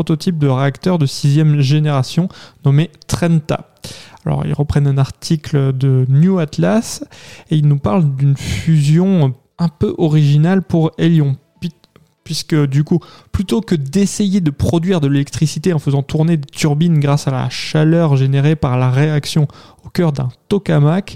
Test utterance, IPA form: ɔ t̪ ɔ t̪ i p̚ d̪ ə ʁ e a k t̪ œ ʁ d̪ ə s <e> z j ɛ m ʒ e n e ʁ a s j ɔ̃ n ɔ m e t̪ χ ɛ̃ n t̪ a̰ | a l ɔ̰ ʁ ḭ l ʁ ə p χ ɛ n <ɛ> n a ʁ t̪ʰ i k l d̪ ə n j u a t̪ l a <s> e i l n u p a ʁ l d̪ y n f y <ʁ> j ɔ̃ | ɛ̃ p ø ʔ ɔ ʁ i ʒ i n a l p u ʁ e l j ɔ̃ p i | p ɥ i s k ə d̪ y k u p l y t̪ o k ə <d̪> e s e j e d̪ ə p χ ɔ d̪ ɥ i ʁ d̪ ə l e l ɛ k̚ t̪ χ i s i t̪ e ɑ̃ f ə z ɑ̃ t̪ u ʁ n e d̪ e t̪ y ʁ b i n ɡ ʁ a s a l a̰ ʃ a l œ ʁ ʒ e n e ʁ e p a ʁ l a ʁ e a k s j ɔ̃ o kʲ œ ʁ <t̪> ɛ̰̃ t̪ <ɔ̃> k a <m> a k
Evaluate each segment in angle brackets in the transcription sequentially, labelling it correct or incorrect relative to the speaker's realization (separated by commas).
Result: incorrect, incorrect, correct, incorrect, correct, incorrect, incorrect, correct